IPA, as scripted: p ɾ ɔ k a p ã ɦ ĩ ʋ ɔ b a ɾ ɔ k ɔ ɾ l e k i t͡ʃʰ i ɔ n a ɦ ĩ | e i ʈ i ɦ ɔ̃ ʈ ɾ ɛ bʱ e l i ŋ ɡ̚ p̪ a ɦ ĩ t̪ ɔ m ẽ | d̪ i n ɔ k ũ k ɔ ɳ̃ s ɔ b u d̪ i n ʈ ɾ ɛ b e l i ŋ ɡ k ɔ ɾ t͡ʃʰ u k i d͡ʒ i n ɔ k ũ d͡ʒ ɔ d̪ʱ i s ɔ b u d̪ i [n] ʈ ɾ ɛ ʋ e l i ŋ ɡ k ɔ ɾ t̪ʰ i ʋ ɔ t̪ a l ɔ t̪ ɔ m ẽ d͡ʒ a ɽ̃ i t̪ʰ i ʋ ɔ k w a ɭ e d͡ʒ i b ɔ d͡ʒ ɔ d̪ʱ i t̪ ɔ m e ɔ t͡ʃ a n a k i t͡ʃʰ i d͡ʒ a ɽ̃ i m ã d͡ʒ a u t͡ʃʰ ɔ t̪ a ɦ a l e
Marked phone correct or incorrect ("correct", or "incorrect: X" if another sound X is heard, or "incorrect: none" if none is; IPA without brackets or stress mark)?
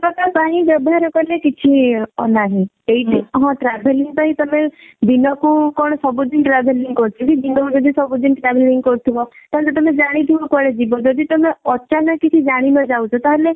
correct